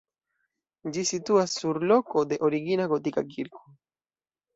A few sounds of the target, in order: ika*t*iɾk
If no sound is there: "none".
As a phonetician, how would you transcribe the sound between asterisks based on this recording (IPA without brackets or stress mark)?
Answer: k